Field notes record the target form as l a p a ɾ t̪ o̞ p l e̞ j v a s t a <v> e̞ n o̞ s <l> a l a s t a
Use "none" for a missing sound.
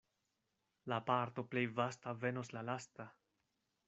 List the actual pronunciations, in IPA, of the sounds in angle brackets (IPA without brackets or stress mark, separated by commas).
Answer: v, l